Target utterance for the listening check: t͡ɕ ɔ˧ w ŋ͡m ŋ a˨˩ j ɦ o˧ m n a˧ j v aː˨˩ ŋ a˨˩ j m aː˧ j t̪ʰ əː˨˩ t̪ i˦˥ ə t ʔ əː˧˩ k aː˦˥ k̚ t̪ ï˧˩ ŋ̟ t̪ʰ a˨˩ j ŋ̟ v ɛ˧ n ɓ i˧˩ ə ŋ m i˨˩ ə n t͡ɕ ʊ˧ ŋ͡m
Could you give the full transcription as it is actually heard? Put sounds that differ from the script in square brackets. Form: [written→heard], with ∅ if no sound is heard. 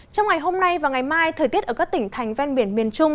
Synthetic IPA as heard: t͡ɕ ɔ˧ w ŋ͡m ŋ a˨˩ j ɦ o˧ m n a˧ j v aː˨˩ ŋ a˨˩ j m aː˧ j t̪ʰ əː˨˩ t̪ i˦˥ ə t ʔ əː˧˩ k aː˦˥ k̚ t̪ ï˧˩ ŋ̟ t̪ʰ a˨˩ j ŋ̟ v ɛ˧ n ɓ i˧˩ ə [ŋ→n] m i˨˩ ə n t͡ɕ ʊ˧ ŋ͡m